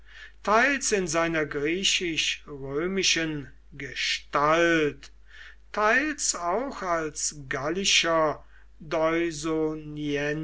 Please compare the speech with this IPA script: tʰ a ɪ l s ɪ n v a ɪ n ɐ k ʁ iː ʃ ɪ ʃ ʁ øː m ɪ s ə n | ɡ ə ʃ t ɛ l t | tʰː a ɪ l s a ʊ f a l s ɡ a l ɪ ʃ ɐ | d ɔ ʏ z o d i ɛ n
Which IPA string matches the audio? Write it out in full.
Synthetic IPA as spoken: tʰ a ɪ l s ɪ n z a ɪ n ɐ ɡ ʁ iː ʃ ɪ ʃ ʁ øː m ɪ ʃ ə n | ɡ ə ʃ t a l t | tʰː a ɪ l s a ʊ x a l s ɡ a l ɪ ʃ ɐ | d ɔ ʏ z o n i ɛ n